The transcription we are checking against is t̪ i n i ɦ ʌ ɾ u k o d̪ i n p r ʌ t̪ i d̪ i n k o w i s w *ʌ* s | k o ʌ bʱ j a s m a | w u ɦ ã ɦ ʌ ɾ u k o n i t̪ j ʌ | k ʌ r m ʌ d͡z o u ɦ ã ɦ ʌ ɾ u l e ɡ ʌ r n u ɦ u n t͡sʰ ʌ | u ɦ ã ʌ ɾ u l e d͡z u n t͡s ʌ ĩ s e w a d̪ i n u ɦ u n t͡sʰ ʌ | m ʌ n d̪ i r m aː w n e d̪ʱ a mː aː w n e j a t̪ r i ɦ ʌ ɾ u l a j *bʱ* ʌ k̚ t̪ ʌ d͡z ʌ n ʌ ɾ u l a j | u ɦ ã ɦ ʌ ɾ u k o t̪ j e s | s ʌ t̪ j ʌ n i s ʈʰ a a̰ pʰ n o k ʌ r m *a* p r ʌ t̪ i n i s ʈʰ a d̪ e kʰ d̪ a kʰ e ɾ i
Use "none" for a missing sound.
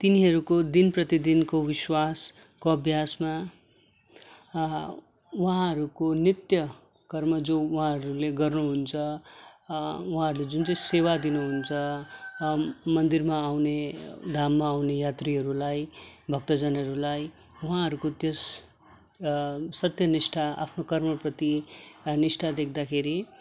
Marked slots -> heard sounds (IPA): a, bʱ, ʌ

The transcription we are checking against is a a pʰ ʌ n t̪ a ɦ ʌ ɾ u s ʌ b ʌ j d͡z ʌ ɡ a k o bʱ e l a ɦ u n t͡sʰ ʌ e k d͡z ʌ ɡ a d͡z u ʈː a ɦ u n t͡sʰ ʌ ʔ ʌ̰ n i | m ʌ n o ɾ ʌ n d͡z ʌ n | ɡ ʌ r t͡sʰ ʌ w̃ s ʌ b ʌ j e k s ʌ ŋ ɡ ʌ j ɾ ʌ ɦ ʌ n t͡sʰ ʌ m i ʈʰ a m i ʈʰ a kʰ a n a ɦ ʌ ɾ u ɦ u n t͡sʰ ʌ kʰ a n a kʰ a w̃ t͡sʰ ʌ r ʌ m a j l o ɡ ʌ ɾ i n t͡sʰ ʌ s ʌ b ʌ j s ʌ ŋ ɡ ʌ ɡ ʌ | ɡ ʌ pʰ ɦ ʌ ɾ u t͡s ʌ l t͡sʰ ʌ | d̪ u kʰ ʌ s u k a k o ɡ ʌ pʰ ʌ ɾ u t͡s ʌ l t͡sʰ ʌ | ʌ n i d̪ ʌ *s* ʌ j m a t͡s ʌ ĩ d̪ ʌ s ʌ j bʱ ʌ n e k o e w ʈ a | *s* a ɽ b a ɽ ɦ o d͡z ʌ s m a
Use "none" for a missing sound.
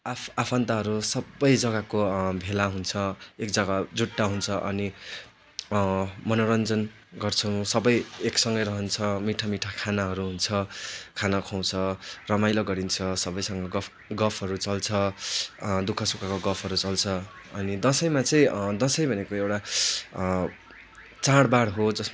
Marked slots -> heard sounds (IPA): s, t͡s

